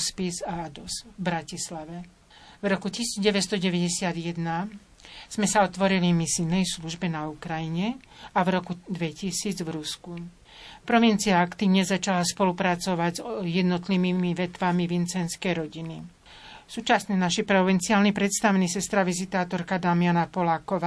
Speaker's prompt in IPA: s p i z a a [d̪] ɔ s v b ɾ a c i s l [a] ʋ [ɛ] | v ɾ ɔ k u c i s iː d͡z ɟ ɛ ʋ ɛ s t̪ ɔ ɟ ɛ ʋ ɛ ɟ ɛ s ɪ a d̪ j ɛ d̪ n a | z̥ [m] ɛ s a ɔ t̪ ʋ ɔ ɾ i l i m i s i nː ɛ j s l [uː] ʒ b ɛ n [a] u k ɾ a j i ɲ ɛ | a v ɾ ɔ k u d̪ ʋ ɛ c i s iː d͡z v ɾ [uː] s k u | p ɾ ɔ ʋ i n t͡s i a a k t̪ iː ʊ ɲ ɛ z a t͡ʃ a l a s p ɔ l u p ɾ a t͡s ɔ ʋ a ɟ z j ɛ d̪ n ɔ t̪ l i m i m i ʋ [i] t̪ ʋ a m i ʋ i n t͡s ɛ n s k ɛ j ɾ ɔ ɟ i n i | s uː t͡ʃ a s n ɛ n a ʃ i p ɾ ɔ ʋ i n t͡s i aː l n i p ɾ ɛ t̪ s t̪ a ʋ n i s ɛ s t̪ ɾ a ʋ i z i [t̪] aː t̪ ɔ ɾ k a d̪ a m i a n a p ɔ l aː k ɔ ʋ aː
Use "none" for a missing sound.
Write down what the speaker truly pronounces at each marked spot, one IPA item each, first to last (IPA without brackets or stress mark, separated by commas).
d̪, a, ɛ, m, u, a, u, ɛ, t̪